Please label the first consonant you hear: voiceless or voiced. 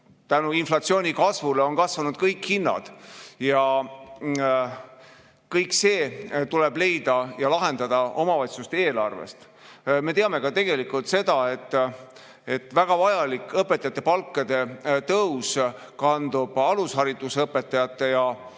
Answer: voiceless